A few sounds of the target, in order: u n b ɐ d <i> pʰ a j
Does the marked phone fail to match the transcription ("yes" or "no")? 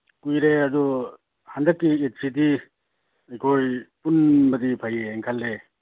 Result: no